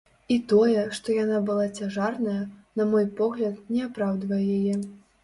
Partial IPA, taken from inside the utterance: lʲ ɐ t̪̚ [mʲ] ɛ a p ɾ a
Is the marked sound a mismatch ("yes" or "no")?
yes